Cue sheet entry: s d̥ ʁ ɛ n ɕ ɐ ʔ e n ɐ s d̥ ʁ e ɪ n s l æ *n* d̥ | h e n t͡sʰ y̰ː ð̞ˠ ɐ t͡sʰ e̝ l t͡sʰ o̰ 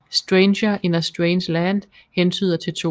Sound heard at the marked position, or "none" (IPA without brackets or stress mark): n